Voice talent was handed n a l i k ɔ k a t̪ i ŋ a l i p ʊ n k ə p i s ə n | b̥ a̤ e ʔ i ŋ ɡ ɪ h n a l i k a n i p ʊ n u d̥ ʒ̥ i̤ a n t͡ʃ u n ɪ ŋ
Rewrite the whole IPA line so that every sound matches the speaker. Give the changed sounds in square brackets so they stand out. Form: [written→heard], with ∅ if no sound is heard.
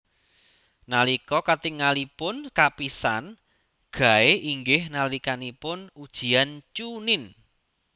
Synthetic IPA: n a l i k ɔ k a t̪ i ŋ a l i p ʊ n k [ə→a] p i s [ə→a] n | [b̥→ɡ̥] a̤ e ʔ i ŋ ɡ ɪ h n a l i k a n i p ʊ n u d̥ ʒ̥ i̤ a n t͡ʃ u n ɪ [ŋ→n]